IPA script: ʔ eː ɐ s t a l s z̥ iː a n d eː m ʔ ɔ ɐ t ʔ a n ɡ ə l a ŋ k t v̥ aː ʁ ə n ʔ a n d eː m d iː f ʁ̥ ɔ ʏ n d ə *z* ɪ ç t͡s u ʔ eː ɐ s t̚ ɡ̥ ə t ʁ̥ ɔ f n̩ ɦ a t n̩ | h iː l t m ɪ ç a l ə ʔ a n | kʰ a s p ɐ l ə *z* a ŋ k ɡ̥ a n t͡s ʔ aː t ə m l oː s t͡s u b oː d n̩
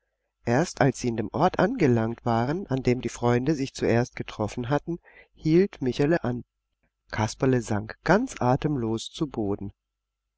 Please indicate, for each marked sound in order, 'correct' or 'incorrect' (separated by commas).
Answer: correct, correct